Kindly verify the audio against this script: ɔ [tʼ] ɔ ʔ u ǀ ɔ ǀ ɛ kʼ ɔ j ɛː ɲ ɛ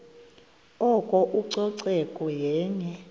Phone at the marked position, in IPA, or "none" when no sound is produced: kʼ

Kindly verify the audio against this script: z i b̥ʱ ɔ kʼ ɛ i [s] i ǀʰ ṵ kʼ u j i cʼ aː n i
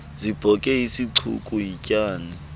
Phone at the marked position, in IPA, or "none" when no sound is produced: s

